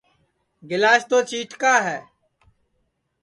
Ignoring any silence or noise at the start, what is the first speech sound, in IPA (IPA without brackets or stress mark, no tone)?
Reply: ɡ